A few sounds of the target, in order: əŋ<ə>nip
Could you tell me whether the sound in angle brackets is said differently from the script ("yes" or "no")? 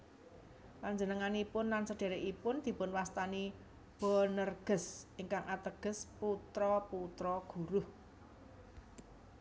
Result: yes